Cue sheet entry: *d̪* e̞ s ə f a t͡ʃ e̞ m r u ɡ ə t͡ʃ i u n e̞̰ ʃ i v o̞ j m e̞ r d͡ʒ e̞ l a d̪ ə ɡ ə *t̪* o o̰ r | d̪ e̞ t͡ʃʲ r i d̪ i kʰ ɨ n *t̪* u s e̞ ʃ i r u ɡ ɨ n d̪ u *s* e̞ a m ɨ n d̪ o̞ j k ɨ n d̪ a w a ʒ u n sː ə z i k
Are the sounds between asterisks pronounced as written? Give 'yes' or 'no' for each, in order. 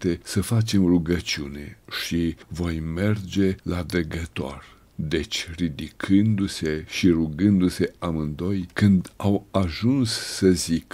no, yes, no, yes

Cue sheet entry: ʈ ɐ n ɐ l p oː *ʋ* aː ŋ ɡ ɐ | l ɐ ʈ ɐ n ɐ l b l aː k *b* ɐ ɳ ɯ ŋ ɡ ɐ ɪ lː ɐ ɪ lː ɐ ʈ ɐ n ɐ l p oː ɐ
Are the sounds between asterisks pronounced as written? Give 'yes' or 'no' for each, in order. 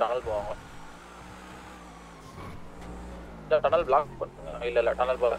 yes, no

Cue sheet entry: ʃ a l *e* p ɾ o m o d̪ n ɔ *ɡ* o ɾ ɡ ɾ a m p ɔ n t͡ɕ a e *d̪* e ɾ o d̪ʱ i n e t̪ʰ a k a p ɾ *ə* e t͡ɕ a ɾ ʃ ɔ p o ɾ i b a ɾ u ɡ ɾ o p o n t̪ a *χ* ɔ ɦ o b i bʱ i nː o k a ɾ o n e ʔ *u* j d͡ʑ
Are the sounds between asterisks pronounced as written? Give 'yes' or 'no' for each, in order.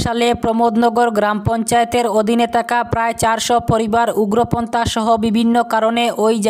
yes, yes, no, no, no, no

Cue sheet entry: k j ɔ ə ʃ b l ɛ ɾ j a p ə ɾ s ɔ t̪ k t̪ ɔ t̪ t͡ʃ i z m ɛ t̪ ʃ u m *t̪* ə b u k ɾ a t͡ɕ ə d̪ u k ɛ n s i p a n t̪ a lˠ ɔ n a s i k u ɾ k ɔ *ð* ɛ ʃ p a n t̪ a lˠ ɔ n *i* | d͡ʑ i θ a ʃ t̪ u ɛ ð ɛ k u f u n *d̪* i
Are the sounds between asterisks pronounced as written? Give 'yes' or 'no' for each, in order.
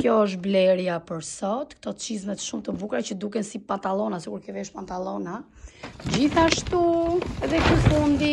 yes, no, no, yes

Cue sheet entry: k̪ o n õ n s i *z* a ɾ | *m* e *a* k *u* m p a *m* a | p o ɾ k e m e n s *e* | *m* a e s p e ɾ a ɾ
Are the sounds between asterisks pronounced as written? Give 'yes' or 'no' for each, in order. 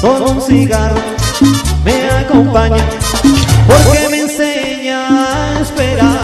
no, yes, yes, no, no, yes, no

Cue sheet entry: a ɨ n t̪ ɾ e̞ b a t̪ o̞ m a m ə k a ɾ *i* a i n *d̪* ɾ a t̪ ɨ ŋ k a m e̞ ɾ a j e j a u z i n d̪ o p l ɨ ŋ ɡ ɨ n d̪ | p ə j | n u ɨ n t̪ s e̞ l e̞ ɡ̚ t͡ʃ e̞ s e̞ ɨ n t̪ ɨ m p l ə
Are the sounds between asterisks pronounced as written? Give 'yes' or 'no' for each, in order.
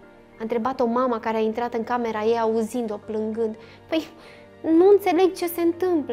no, no

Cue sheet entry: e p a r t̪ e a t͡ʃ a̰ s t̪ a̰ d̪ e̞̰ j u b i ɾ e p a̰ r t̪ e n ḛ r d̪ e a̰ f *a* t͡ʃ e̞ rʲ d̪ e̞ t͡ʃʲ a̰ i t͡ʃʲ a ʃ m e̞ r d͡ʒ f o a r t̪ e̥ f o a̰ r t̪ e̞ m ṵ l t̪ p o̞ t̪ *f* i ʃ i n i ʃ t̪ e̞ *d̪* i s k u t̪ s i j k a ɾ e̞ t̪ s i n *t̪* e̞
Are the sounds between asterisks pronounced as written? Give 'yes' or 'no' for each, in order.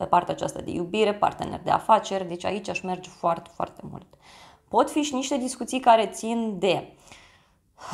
yes, yes, yes, no

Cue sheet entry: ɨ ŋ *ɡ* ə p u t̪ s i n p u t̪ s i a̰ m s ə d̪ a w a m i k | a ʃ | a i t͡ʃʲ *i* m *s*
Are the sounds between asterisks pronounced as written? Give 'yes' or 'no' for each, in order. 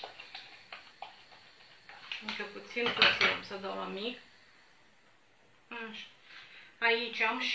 no, no, no

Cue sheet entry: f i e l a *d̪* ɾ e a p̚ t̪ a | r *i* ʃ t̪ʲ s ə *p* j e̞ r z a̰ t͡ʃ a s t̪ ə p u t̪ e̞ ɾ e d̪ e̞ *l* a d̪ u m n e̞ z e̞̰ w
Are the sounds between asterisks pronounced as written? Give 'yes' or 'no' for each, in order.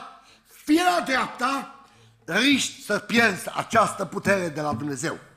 yes, yes, yes, yes

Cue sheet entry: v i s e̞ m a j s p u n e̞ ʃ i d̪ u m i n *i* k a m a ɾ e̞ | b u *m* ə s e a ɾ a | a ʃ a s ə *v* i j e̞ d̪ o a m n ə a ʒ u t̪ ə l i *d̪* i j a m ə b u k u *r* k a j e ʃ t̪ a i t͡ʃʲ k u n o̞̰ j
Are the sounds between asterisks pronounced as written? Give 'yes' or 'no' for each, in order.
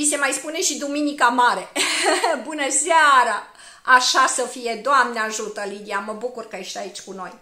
yes, no, no, yes, yes

